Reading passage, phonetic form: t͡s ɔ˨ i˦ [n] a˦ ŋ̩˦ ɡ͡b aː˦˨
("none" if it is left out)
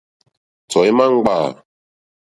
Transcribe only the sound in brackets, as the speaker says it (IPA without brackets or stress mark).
m